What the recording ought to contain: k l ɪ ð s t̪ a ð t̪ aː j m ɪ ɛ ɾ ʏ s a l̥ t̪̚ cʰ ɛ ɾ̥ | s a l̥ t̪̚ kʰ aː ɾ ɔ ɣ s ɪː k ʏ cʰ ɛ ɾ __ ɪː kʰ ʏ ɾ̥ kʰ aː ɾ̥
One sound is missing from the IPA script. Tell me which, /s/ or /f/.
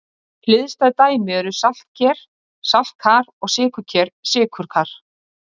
s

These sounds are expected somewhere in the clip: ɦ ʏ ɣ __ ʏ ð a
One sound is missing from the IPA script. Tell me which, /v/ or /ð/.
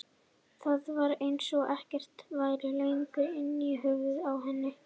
v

